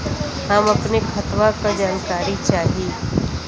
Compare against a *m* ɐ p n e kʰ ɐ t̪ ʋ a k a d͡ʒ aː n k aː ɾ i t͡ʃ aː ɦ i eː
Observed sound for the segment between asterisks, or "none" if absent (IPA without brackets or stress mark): m